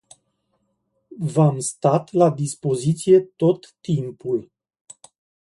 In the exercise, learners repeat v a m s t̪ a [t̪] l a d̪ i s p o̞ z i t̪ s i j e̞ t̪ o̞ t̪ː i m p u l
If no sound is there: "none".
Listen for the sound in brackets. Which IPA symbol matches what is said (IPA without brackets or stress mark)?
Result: t̪